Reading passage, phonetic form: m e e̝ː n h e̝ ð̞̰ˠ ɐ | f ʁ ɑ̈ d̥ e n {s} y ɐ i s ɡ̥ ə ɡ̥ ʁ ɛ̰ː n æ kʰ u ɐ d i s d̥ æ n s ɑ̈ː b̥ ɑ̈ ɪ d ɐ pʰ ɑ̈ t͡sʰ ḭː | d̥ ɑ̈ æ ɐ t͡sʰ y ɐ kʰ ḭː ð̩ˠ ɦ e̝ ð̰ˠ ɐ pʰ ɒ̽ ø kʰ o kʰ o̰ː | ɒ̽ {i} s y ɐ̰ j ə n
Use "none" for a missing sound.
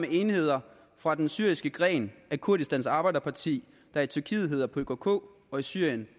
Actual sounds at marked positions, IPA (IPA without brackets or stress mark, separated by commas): s, i